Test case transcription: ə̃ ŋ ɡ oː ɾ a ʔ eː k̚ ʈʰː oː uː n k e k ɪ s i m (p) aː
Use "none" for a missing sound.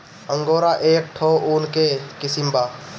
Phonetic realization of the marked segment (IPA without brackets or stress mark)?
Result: b